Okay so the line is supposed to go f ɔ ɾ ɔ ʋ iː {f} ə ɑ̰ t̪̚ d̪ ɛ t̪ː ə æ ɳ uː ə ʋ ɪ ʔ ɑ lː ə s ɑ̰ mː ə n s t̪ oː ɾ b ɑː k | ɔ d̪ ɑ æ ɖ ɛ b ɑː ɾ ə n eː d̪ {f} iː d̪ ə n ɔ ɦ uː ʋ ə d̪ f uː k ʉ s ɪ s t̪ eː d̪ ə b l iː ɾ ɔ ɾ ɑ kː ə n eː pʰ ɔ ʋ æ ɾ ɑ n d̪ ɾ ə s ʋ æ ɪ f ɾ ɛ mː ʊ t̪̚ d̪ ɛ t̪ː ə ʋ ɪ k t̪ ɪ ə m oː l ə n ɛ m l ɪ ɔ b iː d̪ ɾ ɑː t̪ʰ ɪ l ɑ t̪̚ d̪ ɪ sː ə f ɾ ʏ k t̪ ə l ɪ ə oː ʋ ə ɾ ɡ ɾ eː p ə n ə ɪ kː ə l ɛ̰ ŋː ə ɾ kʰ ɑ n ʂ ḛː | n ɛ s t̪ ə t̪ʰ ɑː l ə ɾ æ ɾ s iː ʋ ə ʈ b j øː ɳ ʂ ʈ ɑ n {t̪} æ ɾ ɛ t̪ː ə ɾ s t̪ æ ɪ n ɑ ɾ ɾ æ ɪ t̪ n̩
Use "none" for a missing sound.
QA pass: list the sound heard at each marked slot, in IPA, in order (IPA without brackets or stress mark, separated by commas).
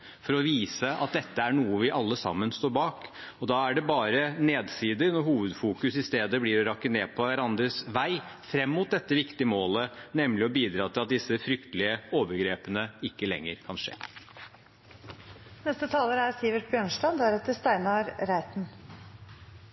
s, s, d̪